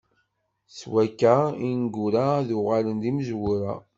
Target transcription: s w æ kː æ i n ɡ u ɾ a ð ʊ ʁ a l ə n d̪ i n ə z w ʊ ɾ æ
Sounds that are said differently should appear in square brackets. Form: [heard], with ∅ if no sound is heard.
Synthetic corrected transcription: s w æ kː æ i n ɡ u ɾ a ð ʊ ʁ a l ə n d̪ i [m] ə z w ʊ ɾ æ